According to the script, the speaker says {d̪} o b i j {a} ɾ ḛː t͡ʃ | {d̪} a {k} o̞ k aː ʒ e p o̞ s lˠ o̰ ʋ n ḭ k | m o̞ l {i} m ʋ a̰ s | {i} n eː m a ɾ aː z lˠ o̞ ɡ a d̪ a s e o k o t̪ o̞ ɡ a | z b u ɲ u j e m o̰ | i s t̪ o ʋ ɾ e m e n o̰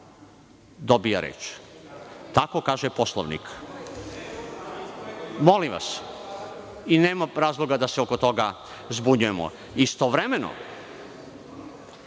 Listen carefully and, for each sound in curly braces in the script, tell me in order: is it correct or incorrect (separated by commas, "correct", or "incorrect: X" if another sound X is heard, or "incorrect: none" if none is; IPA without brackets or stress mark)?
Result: correct, correct, incorrect: t̪, correct, correct, correct